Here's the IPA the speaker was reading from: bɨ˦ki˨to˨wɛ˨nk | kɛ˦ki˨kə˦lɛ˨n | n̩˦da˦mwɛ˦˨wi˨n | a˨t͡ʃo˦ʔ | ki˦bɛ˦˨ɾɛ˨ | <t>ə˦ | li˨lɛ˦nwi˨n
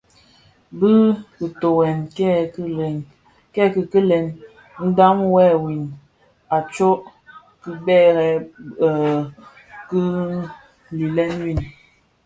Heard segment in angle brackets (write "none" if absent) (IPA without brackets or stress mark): k